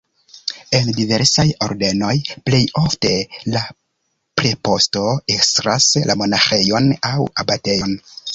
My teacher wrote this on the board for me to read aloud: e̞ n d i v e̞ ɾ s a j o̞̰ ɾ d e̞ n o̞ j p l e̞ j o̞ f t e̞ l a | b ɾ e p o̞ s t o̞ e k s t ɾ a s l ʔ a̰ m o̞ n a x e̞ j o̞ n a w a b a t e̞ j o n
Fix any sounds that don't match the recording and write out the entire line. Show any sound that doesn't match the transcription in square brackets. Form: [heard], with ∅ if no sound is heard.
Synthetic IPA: e̞ n d i v e̞ ɾ s a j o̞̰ ɾ d e̞ n o̞ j p l e̞ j o̞ f t e̞ l a | [p] ɾ e p o̞ s t o̞ e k s t ɾ a s l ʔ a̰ m o̞ n a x e̞ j o̞ n a w a b a t e̞ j o n